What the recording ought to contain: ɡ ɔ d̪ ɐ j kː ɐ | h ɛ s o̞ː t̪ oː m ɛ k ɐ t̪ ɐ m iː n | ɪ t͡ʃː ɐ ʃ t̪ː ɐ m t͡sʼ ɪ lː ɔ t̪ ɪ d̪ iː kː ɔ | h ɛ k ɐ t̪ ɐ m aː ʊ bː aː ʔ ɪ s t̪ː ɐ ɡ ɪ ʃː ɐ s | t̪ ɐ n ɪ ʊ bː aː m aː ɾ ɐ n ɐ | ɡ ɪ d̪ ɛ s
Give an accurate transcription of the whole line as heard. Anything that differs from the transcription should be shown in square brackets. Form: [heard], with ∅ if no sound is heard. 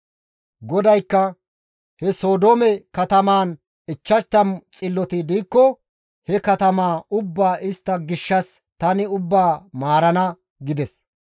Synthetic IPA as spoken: ɡ ɔ d̪ ɐ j kː ɐ | h ɛ s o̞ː [d̪] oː m ɛ k ɐ t̪ ɐ m [aː] n | ɪ t͡ʃː ɐ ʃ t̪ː ɐ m t͡sʼ ɪ lː ɔ t̪ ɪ d̪ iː kː ɔ | h ɛ k ɐ t̪ ɐ m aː ʊ bː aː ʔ ɪ s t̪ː ɐ ɡ ɪ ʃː ɐ s | t̪ ɐ n ɪ ʊ bː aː m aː ɾ ɐ n ɐ | ɡ ɪ d̪ ɛ s